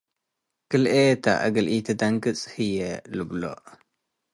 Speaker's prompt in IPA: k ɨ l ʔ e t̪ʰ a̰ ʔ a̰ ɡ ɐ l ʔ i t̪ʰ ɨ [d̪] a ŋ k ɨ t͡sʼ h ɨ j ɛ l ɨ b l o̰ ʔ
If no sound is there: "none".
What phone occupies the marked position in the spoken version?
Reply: d̪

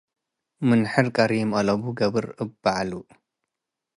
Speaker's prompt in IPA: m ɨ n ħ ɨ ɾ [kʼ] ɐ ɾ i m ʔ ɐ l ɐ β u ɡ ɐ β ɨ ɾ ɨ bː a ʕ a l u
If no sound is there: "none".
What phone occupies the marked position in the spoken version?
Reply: kʼ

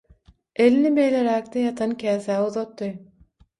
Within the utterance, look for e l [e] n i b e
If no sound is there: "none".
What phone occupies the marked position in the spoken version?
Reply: i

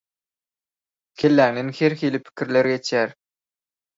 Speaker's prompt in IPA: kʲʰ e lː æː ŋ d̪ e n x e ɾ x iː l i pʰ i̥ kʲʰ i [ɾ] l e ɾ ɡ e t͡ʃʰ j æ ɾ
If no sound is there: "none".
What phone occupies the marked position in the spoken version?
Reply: ɾ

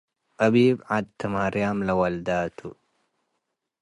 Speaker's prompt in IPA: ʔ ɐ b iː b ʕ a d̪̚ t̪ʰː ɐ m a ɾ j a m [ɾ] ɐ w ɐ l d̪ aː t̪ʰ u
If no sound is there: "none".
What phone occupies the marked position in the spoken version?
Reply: l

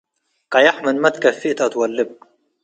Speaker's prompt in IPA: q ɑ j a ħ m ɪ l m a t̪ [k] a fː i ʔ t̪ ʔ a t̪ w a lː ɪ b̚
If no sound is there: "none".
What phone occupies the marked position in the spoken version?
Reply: k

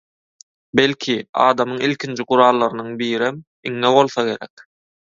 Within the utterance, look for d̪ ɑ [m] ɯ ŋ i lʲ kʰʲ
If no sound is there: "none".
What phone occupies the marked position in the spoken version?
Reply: m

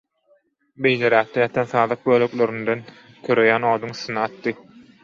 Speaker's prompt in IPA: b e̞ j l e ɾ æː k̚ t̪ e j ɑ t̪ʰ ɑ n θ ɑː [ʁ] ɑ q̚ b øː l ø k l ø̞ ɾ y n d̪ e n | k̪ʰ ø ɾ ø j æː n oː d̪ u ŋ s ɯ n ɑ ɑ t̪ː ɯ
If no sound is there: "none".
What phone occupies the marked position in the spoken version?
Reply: ð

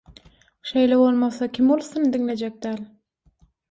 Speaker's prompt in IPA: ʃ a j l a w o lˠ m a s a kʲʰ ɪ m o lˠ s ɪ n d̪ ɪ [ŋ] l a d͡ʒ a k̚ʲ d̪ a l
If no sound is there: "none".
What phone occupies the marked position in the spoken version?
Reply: ŋ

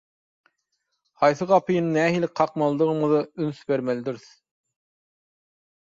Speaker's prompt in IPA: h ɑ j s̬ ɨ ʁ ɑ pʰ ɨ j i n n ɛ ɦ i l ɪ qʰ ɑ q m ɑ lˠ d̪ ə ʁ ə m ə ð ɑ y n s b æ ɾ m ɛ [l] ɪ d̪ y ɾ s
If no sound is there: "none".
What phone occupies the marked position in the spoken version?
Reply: l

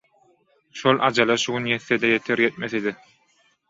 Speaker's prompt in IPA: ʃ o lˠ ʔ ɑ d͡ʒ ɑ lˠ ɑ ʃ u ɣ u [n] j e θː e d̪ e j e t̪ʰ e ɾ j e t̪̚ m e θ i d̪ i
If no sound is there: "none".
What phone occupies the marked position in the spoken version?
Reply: n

